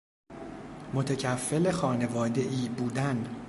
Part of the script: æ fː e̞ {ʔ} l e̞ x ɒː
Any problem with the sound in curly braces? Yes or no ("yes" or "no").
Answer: yes